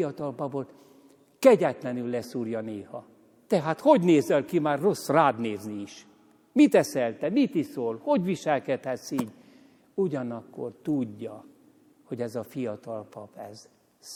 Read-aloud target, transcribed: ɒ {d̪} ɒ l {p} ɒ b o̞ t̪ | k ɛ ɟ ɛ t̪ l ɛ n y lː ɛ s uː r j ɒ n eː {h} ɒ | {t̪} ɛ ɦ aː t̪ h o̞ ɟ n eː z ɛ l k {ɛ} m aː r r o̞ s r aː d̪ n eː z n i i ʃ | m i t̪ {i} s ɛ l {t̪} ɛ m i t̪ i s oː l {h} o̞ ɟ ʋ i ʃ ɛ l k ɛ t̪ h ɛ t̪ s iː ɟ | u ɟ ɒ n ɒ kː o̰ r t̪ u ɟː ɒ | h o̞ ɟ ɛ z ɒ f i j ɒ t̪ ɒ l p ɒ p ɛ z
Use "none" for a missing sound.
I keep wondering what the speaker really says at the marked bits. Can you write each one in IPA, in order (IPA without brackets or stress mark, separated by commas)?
t̪, p, h, t̪, i, ɛ, t̪, h